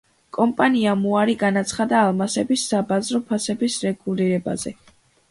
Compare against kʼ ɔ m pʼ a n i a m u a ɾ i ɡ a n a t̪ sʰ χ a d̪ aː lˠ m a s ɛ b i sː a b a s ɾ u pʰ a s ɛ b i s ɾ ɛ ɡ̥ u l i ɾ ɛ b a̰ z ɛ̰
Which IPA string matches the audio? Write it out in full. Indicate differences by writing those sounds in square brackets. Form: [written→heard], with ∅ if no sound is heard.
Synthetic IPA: kʼ ɔ m pʼ a n i a m u a ɾ i ɡ a n a t̪ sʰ χ a d̪ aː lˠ m a s ɛ b i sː a b a [s→z] ɾ [u→ɔ] pʰ a s ɛ b i s ɾ ɛ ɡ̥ u l i ɾ ɛ b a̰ z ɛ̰

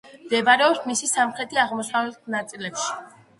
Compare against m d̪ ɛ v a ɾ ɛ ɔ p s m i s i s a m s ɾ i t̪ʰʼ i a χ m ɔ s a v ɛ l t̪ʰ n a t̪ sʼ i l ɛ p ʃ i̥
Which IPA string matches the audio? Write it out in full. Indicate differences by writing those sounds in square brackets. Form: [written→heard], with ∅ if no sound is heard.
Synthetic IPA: m d̪ ɛ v a ɾ ɛ ɔ p s m i s i s a m [s→χ] ɾ [i→ɛ] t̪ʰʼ i a [χ→ʁ] m ɔ s a v ɛ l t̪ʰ n a t̪ sʼ i l ɛ p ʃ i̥

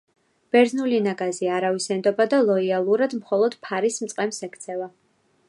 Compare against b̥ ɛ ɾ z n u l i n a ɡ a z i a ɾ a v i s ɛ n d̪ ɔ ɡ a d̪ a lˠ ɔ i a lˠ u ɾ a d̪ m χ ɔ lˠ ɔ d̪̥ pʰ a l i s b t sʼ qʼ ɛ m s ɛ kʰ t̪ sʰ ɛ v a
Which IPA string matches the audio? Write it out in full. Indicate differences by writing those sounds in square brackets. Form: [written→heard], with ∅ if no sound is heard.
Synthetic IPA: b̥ ɛ ɾ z n u l i n a ɡ a z i a ɾ a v i s ɛ n d̪ ɔ [ɡ→b] a d̪ a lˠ ɔ i a lˠ u ɾ a d̪ m χ ɔ lˠ ɔ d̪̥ pʰ a [l→ɾ] i s [b→m] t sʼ qʼ ɛ m s ɛ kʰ t̪ sʰ ɛ v a

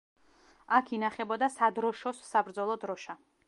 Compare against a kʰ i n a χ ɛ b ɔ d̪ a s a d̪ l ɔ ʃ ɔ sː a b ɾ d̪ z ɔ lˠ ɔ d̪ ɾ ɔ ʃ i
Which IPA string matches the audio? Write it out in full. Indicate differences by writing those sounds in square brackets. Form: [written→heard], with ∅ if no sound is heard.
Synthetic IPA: a kʰ i n a χ ɛ b ɔ d̪ a s a d̪ [l→ɾ] ɔ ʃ ɔ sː a b ɾ d̪ z ɔ lˠ ɔ d̪ ɾ ɔ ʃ [i→a]

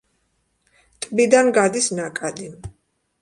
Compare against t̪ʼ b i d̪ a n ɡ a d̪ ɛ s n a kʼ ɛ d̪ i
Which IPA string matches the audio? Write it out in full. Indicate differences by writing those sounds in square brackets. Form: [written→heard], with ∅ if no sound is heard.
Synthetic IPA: t̪ʼ b i d̪ a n ɡ a d̪ [ɛ→i] s n a kʼ [ɛ→a] d̪ i

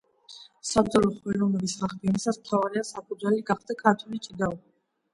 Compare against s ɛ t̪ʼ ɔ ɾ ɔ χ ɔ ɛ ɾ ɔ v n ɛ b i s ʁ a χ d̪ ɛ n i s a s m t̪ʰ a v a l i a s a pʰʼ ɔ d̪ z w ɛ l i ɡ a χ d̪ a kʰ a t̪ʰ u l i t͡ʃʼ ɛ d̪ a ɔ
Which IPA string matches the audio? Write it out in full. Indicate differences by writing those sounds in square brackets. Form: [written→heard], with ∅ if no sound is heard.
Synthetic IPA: s [ɛ→a] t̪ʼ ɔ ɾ ɔ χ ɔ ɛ ɾ ɔ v n ɛ b i s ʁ a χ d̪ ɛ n i s a s m t̪ʰ a v a [l→ɾ] i a s a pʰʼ [ɔ→u] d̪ z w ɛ l i ɡ a χ d̪ a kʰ a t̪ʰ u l i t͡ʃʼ [ɛ→i] d̪ a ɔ

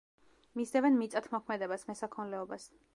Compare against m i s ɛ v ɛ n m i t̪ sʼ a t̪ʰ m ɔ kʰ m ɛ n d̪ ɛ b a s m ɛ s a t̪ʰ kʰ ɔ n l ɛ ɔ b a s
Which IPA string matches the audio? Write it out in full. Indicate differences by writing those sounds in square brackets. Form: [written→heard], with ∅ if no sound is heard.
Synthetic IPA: m i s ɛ v ɛ n m i t̪ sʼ a t̪ʰ m ɔ kʰ m ɛ [n→∅] d̪ ɛ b a s m ɛ s a [t̪ʰ→∅] kʰ ɔ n l ɛ ɔ b a s

